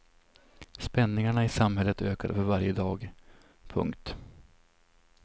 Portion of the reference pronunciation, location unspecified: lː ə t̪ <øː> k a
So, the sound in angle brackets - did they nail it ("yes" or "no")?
yes